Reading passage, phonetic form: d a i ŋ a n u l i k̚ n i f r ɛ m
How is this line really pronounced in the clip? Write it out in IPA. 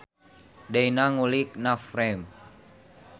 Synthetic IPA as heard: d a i n a ŋ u l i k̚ n a f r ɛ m